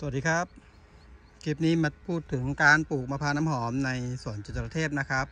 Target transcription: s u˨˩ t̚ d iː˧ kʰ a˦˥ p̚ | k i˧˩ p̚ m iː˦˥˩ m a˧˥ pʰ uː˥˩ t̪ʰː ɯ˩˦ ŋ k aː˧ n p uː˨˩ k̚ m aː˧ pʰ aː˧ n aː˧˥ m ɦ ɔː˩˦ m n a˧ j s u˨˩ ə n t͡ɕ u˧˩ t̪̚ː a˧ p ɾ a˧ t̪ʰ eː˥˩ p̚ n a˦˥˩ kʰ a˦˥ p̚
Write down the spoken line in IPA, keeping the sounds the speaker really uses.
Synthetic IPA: s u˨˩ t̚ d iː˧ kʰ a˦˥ p̚ | k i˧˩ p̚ n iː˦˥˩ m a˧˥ pʰ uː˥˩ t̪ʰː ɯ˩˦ ŋ k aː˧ n p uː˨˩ k̚ m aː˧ pʰ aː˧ n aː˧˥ m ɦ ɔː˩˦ m n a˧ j s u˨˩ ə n t͡ɕ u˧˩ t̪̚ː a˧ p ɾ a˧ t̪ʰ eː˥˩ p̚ n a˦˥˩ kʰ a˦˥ p̚